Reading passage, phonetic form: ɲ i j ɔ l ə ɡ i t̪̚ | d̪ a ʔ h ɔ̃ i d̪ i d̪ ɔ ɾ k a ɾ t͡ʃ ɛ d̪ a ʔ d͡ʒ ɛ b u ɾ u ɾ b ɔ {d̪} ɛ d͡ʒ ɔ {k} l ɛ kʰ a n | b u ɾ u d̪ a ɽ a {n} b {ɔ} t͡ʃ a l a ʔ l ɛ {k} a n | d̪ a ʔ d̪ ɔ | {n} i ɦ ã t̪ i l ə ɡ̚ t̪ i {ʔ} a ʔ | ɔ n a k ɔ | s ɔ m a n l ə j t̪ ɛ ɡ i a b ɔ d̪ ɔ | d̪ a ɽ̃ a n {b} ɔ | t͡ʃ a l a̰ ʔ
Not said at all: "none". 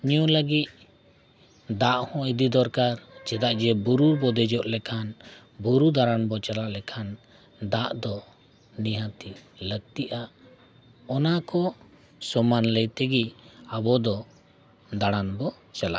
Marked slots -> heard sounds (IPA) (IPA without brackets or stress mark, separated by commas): d̪, ʔ, n, ɔ, kʰ, n, ʔ, b